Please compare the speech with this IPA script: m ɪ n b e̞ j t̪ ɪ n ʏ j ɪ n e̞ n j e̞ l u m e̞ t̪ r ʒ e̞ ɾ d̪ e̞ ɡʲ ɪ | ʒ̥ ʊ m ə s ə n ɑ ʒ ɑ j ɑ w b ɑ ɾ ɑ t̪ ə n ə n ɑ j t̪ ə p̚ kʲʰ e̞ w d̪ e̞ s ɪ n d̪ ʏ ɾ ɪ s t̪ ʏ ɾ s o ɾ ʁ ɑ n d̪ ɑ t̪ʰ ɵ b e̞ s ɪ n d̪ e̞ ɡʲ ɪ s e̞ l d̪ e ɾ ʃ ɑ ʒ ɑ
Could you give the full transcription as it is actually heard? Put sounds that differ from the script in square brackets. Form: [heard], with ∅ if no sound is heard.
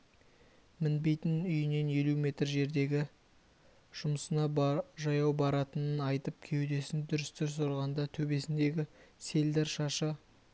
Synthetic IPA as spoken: m ɪ n b e̞ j t̪ ɪ n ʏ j ɪ n e̞ n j e̞ l u m e̞ t̪ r ʒ e̞ ɾ d̪ e̞ ɡʲ ɪ | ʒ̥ ʊ m ə s ə n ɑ ʒ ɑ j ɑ w b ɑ ɾ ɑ t̪ ə n ə n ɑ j t̪ ə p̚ kʲʰ e̞ w d̪ e̞ s ɪ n d̪ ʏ ɾ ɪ s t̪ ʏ ɾ s o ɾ ʁ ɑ n d̪ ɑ t̪ʰ ɵ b e̞ s ɪ n d̪ e̞ ɡʲ ɪ s e̞ l d̪ e ɾ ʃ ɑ [ʃ] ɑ